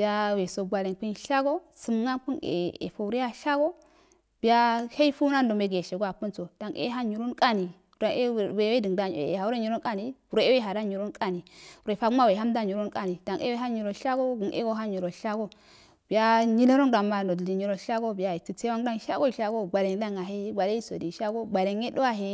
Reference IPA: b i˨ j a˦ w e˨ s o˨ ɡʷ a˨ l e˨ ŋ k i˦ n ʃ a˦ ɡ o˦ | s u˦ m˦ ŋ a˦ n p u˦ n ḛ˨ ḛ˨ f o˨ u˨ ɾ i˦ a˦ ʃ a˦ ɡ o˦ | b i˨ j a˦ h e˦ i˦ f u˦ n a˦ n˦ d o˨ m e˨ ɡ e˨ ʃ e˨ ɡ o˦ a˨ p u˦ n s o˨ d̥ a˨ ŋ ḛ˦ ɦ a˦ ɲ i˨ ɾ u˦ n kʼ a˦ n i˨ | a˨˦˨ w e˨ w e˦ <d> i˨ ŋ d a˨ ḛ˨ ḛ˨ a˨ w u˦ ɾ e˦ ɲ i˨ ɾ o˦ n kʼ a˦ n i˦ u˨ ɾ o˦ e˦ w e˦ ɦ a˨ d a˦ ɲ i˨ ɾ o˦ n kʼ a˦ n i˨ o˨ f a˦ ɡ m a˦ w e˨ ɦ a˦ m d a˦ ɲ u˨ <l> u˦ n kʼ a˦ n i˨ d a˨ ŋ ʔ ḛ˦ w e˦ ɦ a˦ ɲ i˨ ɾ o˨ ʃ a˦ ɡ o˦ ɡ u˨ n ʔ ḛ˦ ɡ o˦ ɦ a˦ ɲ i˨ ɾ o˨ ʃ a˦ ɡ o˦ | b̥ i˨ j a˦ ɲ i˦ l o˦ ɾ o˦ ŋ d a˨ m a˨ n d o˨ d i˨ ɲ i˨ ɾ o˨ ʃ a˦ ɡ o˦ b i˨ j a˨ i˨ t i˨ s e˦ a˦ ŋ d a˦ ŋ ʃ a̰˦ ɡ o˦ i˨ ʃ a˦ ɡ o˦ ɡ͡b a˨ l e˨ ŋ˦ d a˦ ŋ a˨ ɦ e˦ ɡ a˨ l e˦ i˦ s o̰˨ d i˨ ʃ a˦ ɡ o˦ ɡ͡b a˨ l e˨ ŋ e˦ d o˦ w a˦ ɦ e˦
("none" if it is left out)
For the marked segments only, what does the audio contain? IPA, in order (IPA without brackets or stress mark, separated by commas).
d, ɾ